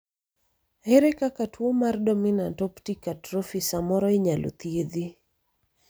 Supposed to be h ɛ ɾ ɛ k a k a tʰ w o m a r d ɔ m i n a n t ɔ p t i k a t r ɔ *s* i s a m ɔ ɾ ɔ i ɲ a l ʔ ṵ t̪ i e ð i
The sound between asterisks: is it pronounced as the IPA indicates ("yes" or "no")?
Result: no